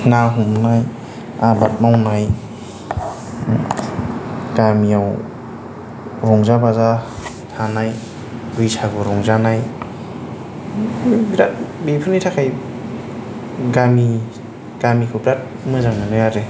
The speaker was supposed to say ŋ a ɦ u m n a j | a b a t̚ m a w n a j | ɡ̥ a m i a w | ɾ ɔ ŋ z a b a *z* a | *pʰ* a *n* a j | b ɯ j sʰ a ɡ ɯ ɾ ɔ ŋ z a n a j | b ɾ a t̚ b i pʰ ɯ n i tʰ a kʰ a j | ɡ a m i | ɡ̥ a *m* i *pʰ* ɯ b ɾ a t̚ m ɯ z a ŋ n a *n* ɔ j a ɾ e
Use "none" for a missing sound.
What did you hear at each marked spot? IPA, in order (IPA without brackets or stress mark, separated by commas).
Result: z, tʰ, n, m, kʰ, n